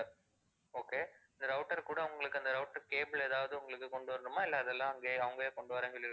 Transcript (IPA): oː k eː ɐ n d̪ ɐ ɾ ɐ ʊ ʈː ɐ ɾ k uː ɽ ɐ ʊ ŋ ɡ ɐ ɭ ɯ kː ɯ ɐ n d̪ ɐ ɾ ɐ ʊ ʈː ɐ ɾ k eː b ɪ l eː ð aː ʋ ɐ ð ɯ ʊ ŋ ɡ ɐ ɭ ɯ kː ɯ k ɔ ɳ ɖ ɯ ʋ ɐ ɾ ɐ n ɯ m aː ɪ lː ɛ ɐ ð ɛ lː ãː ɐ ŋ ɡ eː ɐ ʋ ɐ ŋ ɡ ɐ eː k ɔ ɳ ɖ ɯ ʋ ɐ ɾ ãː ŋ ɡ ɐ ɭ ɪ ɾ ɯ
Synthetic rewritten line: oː k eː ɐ n d̪ ɐ ɾ ɐ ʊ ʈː ɐ ɾ k uː ɽ ɐ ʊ ŋ ɡ ɐ ɭ ɯ kː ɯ ɐ n d̪ ɐ ɾ ɐ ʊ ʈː ɐ ɾ k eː b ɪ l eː ð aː ʋ ɐ ð ɯ ʊ ŋ ɡ ɐ ɭ ɯ kː ɯ k ɔ ɳ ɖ ɯ ʋ ɐ ɾ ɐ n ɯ m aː ɪ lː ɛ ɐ ð ɛ lː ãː ɐ ŋ ɡ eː ɐ ʋ ɐ ŋ ɡ ɐ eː k ɔ ɳ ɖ ɯ ʋ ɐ ɾ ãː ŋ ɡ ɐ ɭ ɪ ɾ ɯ